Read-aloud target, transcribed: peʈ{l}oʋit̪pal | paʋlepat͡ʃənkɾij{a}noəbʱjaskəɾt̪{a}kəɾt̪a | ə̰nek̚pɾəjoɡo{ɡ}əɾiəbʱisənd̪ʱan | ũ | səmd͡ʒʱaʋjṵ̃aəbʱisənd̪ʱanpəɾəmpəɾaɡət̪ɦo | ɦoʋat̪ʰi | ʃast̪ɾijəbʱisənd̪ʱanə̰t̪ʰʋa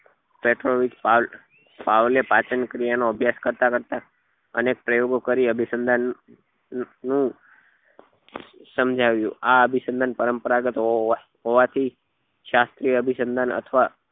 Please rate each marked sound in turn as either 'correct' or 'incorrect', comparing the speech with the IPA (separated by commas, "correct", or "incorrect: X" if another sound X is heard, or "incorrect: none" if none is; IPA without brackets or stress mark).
incorrect: ɾ, correct, correct, incorrect: k